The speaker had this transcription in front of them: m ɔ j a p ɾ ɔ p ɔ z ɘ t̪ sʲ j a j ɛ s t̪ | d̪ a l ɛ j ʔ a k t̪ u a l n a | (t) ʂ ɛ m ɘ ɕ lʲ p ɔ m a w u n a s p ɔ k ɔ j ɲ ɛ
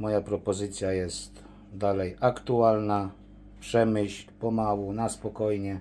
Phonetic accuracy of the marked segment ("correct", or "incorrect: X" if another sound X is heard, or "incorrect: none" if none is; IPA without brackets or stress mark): incorrect: p